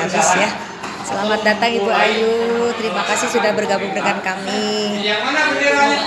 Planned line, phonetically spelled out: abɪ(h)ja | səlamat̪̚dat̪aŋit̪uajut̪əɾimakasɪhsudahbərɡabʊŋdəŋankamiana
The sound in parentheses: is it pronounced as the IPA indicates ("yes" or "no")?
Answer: no